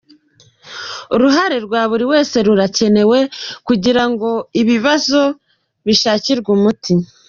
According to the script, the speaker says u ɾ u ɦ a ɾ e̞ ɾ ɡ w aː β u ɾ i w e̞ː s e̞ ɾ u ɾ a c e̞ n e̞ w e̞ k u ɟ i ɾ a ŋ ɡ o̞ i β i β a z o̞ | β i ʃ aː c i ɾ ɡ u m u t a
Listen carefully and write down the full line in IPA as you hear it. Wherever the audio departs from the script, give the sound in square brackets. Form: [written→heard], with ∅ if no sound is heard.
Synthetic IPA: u ɾ u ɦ a ɾ e̞ ɾ ɡ w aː β u ɾ i w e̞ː s e̞ ɾ u ɾ a c e̞ n e̞ w e̞ k u ɟ i ɾ a ŋ ɡ o̞ i β i β a z o̞ | β i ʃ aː c i ɾ ɡ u m u t [a→i]